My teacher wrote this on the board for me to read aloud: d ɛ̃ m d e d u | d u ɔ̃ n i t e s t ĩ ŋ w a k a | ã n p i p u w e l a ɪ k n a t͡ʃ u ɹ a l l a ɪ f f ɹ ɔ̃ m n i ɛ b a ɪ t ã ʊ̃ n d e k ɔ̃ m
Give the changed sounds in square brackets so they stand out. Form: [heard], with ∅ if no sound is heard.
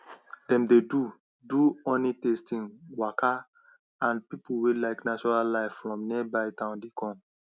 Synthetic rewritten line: d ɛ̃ m d e d u | d u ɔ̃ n i t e s t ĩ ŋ w a k a | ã n p i p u w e l a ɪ k n a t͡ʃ [ɔ] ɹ a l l a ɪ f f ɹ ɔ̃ m n i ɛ b a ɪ t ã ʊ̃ n d e k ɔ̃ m